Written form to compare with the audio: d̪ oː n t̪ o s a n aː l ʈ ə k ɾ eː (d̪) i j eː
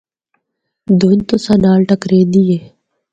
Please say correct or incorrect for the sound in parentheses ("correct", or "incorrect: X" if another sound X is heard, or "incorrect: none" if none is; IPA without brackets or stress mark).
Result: correct